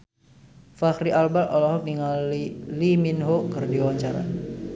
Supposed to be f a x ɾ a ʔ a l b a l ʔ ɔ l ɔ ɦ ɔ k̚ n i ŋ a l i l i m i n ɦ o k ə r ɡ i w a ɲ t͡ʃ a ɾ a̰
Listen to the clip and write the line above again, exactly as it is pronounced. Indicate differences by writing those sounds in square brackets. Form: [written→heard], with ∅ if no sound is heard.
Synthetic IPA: f a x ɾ [a→i] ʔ a l b a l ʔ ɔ l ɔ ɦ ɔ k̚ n i ŋ a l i l i m i n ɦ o k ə r [ɡ→d] i w a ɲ t͡ʃ a ɾ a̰